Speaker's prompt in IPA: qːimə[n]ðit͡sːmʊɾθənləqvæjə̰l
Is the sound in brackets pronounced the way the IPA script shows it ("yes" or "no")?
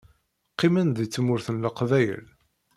yes